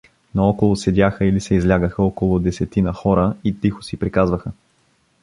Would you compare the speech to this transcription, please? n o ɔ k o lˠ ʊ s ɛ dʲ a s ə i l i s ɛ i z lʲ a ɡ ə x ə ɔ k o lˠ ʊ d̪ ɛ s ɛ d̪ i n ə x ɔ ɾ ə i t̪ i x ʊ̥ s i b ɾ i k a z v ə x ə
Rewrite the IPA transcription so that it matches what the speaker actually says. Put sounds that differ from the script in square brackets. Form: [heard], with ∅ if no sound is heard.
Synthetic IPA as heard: n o ɔ k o lˠ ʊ s ɛ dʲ a [x] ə i l i s ɛ i z lʲ a ɡ ə x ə ɔ k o lˠ ʊ d̪ ɛ s ɛ [t̪] i n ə x ɔ ɾ ə i t̪ i x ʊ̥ s i [p] ɾ i k a z v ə x ə